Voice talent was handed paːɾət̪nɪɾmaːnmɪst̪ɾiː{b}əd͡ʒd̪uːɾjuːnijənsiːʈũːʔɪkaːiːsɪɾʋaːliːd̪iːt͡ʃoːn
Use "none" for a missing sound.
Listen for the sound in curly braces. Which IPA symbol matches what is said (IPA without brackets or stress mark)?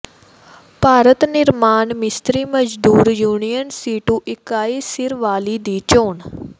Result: m